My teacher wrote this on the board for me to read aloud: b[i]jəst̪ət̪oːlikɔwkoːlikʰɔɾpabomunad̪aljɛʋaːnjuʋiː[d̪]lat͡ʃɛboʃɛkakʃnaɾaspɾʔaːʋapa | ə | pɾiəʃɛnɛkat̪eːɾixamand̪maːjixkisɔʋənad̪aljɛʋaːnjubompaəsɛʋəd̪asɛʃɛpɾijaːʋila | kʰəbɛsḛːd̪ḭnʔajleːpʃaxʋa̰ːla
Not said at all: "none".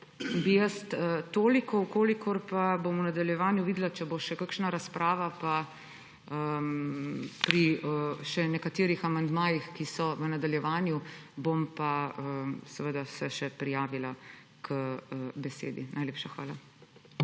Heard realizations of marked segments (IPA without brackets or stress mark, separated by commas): i, d̪